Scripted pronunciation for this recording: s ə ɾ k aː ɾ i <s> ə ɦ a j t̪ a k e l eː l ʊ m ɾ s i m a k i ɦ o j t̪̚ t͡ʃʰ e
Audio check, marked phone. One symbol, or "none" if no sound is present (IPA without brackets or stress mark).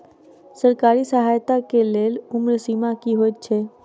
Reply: s